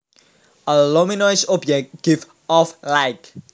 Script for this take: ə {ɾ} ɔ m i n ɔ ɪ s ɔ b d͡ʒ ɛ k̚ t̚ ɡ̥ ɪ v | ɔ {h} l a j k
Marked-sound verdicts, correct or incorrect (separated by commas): incorrect, incorrect